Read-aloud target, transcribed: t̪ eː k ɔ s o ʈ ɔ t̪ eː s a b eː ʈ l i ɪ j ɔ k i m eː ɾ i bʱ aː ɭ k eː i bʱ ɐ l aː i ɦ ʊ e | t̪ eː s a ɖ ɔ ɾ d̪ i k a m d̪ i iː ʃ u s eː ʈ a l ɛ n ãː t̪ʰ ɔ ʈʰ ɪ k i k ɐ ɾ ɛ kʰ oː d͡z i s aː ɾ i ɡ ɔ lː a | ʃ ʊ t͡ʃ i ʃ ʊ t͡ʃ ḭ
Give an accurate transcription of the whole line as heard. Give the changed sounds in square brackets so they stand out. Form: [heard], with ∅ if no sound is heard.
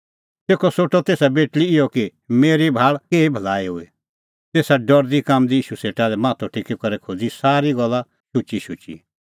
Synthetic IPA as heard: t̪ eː k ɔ s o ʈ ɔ t̪ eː s a b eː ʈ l i ɪ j ɔ k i m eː ɾ i bʱ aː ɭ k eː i bʱ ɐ l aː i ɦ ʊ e | t̪ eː s a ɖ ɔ ɾ d̪ i k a m d̪ i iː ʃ u s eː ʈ a l ɛ [m] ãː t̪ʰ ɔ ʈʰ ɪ k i k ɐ ɾ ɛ kʰ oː d͡z i s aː ɾ i ɡ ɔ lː a | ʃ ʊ t͡ʃ i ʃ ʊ t͡ʃ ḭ